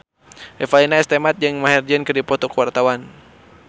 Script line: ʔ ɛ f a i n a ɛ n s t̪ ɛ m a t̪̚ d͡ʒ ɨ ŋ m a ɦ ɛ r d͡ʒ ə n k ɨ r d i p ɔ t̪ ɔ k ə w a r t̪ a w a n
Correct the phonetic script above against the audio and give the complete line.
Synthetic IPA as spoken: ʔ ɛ f a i n a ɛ s t̪ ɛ m a t̪̚ d͡ʒ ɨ ŋ m a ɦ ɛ r d͡ʒ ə n k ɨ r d i p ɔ t̪ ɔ k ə w a r t̪ a w a n